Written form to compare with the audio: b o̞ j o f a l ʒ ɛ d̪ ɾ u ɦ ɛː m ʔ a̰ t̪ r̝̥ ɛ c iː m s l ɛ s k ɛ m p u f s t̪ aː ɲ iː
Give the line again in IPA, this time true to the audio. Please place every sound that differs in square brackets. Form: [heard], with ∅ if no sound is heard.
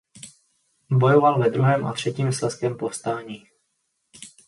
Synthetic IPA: b o̞ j o [v] a l [v] ɛ d̪ ɾ u ɦ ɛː m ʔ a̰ t̪ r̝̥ ɛ c iː m s l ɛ s k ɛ m p [o] f s t̪ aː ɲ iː